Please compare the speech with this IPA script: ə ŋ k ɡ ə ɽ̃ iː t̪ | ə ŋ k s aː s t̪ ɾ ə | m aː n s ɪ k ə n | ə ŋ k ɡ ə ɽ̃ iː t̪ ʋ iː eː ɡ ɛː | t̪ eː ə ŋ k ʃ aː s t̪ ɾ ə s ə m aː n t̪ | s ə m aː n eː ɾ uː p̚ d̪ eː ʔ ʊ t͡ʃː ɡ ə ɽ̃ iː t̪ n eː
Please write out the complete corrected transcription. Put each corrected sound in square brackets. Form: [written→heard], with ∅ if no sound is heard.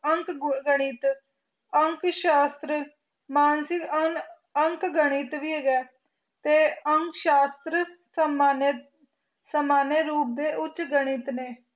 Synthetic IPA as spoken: ə ŋ k ɡ ə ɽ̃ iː t̪ | ə ŋ k [s→ʃ] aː s t̪ ɾ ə | m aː n s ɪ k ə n | ə ŋ k ɡ ə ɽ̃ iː t̪ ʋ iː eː ɡ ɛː | t̪ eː ə ŋ k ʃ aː s t̪ ɾ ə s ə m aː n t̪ | s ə m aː n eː ɾ uː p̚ d̪ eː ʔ ʊ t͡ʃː ɡ ə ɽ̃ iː t̪ n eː